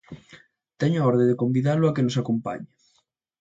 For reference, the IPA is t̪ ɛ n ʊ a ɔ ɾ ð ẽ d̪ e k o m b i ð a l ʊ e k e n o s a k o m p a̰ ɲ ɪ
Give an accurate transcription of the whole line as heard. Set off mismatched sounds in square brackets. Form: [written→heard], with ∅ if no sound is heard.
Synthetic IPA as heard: t̪ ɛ [n→ɲ] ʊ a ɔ ɾ ð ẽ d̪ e k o m b i ð a l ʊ [e→a] k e n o s a k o m p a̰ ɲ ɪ